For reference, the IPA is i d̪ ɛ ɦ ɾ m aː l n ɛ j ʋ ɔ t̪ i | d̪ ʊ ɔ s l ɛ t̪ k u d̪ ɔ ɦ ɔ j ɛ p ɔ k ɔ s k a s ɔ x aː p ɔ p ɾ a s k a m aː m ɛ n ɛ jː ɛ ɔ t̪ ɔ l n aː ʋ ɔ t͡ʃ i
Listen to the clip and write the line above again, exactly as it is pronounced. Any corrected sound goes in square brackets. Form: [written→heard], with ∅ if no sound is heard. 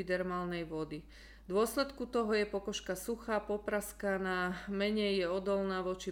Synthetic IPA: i d̪ ɛ [ɦ→∅] ɾ m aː l n ɛ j ʋ ɔ [t̪→d̪] i | d̪ ʊ ɔ s l ɛ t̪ k u [d̪→t̪] ɔ ɦ ɔ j ɛ p ɔ k ɔ [s→ʃ] k a s [ɔ→u] x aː p ɔ p ɾ a s k a [m→n] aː m ɛ [n→ɲ] ɛ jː ɛ ɔ [t̪→d̪] ɔ l n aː ʋ ɔ t͡ʃ i